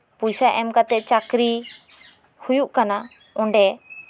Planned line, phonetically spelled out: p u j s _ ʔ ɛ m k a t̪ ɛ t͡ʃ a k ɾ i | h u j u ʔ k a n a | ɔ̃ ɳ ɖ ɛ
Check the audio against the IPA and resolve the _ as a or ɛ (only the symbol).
a